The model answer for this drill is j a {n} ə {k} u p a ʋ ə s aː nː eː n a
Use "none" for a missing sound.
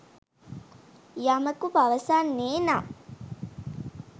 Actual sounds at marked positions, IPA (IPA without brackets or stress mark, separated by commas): m, k